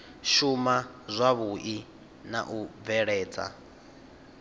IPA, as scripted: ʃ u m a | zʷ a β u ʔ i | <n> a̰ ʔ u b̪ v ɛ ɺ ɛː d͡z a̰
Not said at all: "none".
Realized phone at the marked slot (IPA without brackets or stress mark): n